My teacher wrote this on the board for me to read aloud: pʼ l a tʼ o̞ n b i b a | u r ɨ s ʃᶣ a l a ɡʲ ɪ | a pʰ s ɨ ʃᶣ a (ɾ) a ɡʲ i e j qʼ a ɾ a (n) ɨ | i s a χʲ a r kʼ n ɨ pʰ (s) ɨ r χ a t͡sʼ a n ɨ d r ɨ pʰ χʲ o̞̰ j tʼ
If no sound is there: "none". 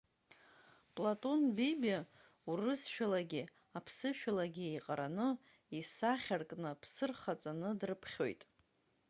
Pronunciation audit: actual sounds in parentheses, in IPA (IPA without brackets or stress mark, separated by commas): l, n, s